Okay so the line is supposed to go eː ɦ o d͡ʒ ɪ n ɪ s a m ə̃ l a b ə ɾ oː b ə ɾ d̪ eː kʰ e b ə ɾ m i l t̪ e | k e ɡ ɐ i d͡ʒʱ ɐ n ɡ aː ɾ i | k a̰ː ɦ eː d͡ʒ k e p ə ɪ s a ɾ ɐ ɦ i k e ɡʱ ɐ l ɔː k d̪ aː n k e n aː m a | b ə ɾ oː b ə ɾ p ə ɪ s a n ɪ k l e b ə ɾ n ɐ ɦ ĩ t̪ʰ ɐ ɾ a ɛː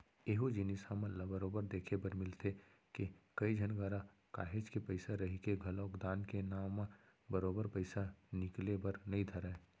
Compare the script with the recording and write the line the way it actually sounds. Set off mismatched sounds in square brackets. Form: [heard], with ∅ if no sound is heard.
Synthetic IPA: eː ɦ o d͡ʒ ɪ n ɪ s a m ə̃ l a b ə ɾ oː b ə ɾ d̪ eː kʰ e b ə ɾ m [ɪ] l t̪ e | k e [k] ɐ i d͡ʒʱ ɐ n ɡ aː ɾ [a] | k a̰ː ɦ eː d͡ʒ k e p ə ɪ s a ɾ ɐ ɦ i k e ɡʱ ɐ l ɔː k d̪ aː n k e n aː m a | b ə ɾ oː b ə ɾ p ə ɪ s a n ɪ k l e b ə ɾ n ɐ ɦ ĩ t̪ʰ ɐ ɾ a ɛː